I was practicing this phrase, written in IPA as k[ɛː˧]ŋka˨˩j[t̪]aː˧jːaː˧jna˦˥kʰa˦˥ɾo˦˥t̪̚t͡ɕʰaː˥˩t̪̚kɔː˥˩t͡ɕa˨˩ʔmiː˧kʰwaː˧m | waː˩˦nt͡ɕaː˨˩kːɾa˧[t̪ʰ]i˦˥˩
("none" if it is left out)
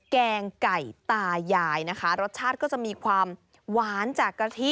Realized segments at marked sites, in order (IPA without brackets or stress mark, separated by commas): ɛː˧, t̪, t̪ʰ